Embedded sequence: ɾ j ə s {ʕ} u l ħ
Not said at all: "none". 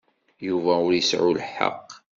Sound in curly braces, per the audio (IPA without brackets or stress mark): ʕ